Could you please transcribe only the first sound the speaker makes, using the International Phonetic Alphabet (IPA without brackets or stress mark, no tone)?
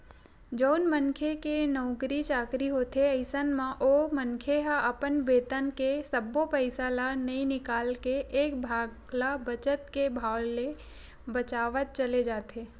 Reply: d͡ʒ